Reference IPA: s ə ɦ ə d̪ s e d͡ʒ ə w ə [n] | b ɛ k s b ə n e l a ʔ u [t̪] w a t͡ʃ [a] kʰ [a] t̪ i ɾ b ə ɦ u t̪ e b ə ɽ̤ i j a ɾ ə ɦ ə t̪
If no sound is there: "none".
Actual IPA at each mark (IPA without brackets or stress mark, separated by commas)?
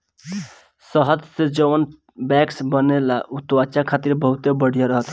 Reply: n, t̪, a, a